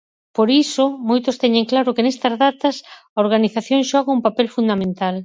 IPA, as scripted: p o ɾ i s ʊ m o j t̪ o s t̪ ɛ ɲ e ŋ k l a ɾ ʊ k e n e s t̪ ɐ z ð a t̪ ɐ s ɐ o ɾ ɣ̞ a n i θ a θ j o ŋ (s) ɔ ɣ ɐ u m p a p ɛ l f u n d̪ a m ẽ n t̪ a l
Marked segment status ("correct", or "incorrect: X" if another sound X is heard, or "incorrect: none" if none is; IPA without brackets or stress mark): incorrect: ʃ